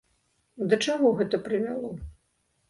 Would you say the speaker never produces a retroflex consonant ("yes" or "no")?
no